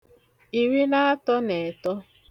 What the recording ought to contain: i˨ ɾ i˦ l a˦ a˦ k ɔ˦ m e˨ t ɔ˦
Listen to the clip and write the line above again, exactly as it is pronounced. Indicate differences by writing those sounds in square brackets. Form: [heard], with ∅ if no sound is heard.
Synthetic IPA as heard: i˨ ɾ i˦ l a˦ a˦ [t] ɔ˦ [n] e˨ t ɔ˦